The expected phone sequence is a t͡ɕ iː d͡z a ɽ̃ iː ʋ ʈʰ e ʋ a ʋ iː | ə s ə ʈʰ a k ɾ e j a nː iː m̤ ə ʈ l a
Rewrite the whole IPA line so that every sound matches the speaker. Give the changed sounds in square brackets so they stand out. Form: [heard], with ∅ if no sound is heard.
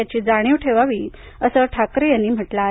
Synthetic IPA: a t͡ɕ iː d͡z a ɽ̃ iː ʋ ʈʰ e ʋ a ʋ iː | ə s ə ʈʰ a k ɾ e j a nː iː m̤ ə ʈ l a